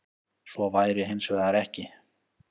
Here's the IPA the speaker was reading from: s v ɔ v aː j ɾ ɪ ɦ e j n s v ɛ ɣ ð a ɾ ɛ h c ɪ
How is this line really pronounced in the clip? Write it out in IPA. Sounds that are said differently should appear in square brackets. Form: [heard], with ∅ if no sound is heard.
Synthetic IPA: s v ɔ v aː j ɾ ɪ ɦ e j n s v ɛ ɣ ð a ɾ ɛ h c ɪ